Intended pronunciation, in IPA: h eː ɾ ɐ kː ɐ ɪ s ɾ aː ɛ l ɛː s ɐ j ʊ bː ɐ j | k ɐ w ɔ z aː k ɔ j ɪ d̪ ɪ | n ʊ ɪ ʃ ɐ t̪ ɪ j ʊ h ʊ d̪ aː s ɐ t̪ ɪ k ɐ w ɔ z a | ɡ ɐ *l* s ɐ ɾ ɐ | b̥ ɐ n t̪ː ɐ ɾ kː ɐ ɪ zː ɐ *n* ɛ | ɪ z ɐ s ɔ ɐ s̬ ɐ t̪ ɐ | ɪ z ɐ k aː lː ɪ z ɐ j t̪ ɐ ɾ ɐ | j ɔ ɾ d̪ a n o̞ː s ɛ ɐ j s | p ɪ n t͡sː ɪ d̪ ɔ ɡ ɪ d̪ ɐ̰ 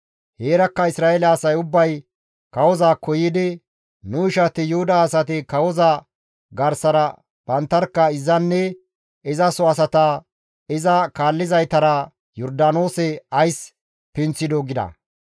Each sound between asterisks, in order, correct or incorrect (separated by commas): incorrect, incorrect